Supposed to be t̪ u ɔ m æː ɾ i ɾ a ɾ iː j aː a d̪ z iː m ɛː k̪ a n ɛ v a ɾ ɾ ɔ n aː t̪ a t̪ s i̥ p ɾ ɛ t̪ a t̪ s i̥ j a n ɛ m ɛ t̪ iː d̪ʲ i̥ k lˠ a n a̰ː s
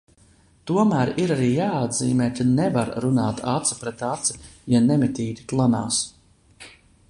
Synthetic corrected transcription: t̪ u ɔ m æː ɾ i ɾ a ɾ iː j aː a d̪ z iː m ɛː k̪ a n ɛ v a ɾ ɾ u n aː t̪ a t̪ s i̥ p ɾ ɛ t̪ a t̪ s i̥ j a n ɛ m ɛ t̪ iː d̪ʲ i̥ k lˠ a n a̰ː s